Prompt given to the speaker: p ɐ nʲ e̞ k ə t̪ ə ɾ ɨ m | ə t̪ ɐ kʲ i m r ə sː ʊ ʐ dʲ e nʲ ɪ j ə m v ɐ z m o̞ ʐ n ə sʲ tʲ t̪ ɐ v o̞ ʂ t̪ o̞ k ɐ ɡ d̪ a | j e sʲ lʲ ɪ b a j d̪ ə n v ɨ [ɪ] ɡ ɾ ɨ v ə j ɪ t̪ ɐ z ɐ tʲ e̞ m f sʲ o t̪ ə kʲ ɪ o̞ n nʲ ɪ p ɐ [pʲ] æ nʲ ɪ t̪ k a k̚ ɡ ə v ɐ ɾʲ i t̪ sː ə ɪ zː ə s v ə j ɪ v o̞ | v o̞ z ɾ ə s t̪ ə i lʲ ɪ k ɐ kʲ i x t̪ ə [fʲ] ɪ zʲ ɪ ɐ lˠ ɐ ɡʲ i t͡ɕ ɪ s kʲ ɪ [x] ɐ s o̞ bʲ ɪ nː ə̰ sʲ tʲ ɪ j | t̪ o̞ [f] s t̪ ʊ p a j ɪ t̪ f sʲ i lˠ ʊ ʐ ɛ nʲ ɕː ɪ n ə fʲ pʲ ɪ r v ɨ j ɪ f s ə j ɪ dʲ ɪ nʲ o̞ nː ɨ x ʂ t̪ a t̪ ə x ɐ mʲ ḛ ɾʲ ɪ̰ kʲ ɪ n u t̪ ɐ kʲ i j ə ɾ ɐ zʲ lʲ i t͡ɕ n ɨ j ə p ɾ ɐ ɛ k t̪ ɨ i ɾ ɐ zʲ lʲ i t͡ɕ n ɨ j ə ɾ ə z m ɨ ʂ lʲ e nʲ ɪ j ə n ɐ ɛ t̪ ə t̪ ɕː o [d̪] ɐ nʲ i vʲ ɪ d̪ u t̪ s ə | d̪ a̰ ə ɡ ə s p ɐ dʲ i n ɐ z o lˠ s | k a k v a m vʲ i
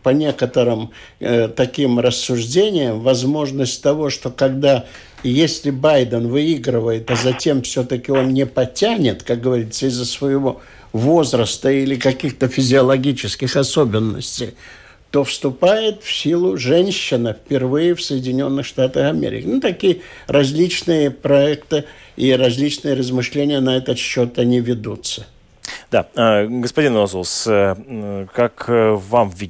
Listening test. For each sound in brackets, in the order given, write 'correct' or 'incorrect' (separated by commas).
incorrect, incorrect, correct, correct, correct, incorrect